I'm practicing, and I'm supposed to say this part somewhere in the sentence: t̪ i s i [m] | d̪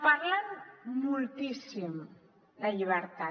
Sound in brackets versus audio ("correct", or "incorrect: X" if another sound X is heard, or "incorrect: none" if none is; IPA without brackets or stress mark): correct